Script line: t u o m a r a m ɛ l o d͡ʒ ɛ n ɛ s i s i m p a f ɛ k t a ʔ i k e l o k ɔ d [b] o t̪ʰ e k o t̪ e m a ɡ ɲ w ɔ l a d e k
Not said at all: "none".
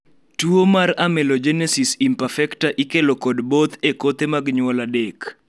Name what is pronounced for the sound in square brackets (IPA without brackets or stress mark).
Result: b